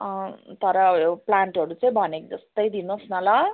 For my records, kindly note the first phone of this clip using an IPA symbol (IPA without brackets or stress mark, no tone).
t̪